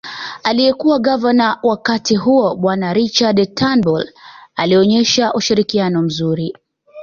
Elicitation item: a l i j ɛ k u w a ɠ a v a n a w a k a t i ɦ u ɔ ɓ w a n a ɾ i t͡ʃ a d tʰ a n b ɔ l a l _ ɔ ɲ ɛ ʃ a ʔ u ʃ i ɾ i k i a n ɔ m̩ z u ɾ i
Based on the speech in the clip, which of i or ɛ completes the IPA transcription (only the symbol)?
i